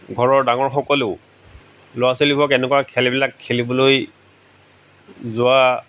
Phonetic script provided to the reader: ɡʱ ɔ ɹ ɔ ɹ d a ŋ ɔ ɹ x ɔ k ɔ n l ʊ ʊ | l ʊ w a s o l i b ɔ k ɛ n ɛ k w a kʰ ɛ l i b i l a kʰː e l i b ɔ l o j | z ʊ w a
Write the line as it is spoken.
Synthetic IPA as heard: ɡʱ ɔ ɹ ɔ ɹ d a ŋ ɔ ɹ x ɔ k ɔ l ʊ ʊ | l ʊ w a s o l i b ɔ k ɛ n ɛ k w a kʰ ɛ l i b i l a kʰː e l i b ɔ l o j | z ʊ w a